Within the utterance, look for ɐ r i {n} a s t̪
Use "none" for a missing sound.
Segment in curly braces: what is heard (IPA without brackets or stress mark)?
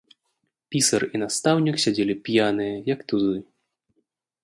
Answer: n